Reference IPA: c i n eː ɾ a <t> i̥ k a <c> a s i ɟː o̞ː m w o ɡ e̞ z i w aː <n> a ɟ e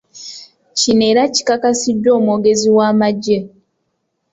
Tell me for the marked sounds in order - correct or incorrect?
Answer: incorrect, incorrect, incorrect

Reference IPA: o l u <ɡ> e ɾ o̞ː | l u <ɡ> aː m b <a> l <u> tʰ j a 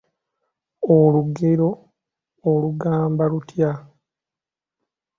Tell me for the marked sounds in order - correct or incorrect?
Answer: correct, correct, correct, correct

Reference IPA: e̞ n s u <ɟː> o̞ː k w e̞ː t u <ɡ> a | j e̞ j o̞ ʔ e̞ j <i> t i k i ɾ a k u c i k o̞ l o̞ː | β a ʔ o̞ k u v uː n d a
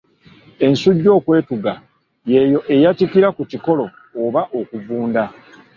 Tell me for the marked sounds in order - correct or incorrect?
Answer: correct, correct, incorrect

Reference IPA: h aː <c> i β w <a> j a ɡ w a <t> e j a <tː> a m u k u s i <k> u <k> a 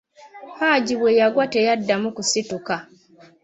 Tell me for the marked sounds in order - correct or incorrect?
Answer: incorrect, incorrect, correct, incorrect, incorrect, correct

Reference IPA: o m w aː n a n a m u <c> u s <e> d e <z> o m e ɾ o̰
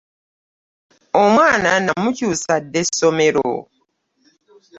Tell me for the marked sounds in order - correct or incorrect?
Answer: correct, incorrect, incorrect

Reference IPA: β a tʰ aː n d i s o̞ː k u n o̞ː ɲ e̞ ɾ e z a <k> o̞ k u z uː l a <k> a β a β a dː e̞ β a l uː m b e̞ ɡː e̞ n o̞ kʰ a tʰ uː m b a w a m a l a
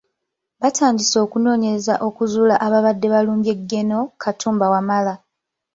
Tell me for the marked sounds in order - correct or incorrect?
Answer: incorrect, incorrect

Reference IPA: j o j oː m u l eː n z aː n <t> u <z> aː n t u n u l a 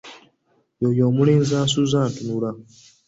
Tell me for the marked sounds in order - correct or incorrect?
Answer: incorrect, correct

